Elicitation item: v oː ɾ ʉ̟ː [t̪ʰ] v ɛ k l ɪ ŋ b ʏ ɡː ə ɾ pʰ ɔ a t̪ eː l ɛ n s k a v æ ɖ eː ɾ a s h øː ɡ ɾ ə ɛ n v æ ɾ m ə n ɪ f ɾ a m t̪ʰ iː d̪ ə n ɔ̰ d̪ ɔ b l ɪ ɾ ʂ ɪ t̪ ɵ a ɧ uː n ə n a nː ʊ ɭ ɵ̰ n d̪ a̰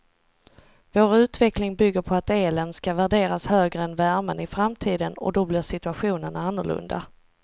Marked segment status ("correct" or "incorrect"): incorrect